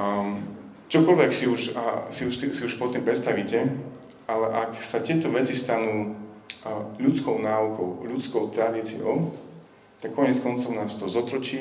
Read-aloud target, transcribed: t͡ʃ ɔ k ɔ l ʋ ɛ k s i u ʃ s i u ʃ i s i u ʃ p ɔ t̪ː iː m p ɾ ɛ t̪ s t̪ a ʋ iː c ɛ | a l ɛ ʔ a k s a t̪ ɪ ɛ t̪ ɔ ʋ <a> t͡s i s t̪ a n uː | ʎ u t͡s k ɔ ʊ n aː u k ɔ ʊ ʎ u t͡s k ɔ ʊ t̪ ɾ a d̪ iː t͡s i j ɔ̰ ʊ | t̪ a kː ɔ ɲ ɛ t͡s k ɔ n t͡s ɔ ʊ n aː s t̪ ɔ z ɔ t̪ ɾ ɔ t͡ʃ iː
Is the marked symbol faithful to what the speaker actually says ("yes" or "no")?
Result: no